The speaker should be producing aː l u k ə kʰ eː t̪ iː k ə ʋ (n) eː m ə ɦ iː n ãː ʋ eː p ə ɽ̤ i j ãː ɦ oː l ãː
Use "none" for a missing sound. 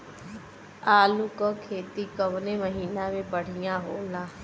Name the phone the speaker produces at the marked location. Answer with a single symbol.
n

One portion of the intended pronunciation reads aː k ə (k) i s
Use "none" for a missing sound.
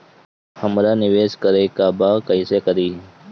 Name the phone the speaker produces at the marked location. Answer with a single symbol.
none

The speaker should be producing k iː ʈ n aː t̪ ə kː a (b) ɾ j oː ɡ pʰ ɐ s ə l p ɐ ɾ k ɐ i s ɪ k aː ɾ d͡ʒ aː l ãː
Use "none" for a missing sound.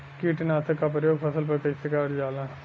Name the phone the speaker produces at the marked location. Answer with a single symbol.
p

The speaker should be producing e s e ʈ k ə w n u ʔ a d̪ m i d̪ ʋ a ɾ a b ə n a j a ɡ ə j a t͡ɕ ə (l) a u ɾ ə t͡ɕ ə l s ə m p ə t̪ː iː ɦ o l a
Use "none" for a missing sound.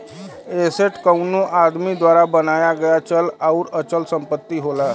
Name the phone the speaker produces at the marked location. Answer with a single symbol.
l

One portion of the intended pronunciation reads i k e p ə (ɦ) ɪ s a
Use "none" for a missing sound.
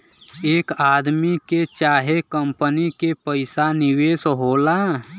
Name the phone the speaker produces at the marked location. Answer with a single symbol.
none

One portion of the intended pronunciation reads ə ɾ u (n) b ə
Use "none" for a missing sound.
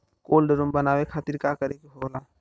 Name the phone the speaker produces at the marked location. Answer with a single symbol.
m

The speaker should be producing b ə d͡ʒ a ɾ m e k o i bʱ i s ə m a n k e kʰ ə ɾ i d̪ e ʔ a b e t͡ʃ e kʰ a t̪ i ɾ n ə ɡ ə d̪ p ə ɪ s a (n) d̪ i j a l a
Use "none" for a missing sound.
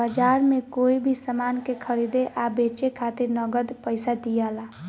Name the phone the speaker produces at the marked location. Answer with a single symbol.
none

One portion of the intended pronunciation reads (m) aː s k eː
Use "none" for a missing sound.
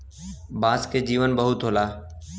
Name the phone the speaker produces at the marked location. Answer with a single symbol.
b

